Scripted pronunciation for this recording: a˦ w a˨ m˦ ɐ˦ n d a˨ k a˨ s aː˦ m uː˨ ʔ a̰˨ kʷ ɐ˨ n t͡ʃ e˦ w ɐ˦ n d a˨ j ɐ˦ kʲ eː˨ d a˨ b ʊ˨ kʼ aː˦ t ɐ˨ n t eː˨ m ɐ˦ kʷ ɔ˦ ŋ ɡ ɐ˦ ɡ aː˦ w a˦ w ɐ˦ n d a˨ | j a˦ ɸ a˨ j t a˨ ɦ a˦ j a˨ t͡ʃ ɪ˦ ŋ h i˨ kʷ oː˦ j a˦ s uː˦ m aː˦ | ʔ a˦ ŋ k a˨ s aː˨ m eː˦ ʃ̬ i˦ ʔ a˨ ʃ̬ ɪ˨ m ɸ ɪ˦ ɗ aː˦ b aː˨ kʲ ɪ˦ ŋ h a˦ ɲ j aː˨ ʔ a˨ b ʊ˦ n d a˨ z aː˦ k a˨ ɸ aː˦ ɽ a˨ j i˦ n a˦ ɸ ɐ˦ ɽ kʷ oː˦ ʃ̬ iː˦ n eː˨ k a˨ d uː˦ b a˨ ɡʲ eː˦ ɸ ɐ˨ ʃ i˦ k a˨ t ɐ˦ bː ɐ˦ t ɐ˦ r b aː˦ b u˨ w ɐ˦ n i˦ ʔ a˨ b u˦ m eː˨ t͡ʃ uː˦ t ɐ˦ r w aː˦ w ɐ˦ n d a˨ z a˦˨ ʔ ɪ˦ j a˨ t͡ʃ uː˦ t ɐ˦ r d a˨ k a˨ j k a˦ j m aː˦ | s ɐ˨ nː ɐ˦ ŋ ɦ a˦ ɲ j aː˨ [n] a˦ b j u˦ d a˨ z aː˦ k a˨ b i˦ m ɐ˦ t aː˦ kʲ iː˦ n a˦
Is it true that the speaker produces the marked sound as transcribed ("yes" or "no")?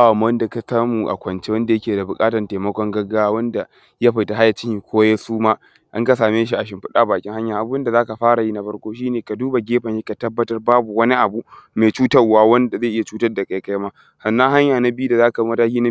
yes